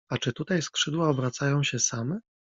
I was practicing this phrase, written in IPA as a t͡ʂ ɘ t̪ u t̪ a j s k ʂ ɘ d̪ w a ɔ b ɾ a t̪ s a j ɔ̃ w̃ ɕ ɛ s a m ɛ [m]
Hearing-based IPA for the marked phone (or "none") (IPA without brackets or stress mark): none